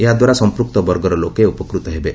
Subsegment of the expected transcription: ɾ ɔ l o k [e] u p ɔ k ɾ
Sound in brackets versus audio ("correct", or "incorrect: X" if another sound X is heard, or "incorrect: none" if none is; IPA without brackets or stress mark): correct